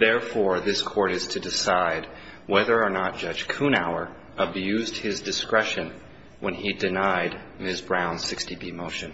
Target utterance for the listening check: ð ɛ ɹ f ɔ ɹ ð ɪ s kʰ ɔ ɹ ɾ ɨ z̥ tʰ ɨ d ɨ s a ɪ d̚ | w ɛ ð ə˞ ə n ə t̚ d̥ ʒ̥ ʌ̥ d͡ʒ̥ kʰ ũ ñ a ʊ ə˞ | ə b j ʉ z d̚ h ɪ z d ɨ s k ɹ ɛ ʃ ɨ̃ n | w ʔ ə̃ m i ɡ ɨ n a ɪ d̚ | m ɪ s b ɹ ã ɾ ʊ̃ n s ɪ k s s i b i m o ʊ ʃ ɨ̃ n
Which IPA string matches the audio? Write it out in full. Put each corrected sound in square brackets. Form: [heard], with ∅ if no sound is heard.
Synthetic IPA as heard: ð ɛ ɹ f ɔ ɹ ð ɪ s kʰ ɔ ɹ ɾ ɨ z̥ tʰ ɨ d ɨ s a ɪ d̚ | w ɛ ð ə˞ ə n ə t̚ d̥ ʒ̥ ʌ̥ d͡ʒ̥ kʰ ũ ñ a ʊ ə˞ | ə b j ʉ z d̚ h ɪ z d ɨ s k ɹ ɛ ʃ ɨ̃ n | w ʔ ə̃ [n] i [d] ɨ n a ɪ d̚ | m ɪ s b ɹ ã [∅] ʊ̃ n s ɪ k s [t] i b i m o ʊ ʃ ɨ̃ n